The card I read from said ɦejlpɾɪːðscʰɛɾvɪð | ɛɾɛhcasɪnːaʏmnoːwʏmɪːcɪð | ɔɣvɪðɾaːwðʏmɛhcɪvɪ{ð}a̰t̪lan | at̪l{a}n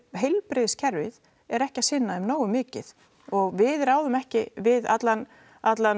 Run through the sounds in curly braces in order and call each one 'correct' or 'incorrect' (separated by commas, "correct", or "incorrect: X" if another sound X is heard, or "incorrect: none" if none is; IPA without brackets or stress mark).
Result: correct, correct